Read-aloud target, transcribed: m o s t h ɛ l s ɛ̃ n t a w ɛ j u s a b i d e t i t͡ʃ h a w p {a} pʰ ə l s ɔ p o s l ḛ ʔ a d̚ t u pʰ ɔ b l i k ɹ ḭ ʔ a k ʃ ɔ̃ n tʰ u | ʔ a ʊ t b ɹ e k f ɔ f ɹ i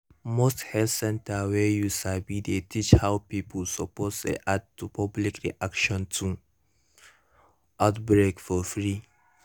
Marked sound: incorrect: i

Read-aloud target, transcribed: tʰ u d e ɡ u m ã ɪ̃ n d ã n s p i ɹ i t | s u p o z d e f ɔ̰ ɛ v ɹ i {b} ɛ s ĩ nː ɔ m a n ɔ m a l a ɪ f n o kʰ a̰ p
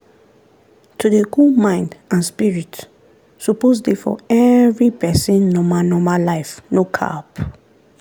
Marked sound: incorrect: p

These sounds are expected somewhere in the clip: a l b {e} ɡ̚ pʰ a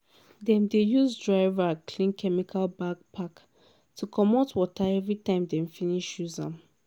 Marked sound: incorrect: a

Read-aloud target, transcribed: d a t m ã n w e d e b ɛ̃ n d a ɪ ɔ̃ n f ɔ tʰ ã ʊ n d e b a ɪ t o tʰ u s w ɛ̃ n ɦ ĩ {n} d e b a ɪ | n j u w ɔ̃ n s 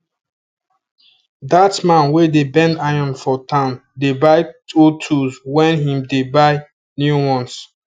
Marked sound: incorrect: m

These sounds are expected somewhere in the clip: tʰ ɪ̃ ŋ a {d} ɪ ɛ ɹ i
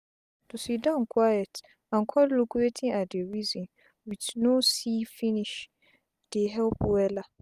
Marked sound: correct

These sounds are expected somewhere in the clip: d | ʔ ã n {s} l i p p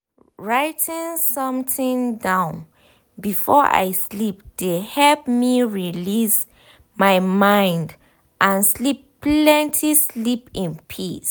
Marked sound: correct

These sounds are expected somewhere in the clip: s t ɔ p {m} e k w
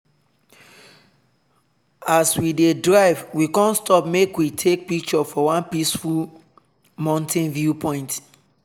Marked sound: correct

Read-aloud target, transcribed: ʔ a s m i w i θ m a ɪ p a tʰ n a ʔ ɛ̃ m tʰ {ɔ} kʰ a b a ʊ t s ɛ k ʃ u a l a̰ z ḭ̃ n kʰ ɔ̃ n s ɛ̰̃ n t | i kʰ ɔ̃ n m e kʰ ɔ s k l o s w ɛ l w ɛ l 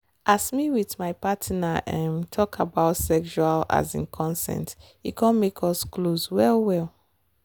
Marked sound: correct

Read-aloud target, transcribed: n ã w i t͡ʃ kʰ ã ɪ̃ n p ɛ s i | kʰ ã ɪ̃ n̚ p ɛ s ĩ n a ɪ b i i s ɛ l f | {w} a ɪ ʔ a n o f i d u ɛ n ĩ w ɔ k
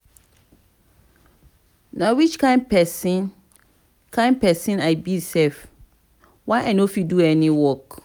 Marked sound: correct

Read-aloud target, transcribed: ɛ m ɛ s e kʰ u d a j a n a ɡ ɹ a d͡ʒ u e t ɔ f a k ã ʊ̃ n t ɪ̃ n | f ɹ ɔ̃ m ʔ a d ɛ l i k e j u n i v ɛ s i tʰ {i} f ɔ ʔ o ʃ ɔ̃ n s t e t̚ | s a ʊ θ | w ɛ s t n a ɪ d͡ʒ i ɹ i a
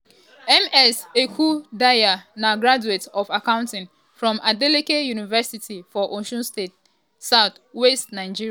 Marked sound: correct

